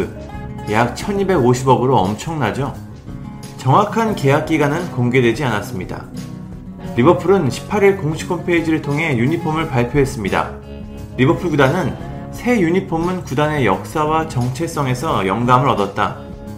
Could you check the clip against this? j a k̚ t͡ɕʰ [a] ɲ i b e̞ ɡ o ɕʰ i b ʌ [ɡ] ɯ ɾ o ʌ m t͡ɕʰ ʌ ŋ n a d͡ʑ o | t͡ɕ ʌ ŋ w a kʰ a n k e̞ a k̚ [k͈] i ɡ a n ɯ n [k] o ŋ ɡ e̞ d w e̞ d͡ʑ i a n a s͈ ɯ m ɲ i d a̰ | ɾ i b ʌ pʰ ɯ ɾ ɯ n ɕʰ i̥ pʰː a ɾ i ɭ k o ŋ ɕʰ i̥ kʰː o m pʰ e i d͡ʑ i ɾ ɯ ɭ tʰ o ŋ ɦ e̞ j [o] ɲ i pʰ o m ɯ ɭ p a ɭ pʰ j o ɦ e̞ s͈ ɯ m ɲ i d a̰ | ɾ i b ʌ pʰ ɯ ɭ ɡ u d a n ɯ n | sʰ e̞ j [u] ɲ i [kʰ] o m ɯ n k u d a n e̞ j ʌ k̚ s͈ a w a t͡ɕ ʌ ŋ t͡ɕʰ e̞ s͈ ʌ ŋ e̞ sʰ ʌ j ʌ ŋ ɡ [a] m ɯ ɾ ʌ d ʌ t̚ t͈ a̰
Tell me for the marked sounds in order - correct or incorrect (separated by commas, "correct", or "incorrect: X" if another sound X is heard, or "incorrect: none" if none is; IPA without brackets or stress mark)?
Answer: incorrect: ʌ, correct, correct, correct, incorrect: u, correct, incorrect: pʰ, correct